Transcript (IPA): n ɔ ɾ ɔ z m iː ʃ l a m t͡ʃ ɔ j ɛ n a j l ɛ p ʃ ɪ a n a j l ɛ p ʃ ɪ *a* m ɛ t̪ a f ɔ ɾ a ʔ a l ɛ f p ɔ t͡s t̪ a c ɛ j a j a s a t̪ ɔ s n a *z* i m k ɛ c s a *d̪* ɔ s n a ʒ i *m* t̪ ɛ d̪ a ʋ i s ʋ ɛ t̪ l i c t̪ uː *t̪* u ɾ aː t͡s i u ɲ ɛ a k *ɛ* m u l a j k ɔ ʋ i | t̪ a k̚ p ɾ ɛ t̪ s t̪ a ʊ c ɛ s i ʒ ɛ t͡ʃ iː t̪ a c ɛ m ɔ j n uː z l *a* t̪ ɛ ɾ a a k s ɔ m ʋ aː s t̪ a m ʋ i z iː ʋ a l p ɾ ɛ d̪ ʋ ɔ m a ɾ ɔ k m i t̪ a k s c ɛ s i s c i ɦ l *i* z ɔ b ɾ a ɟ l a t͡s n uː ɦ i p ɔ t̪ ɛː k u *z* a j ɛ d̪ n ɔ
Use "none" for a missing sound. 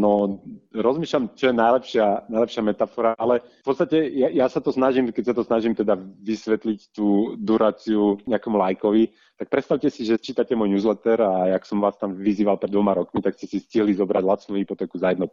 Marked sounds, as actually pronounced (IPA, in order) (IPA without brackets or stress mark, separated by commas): a, ʒ, t̪, m, d̪, ɛ, ɛ, i, z